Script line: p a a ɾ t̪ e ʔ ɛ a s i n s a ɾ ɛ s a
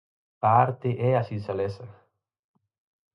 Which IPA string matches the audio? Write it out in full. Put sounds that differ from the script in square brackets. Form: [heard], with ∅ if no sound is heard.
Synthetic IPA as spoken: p a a ɾ t̪ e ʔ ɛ a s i n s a [l] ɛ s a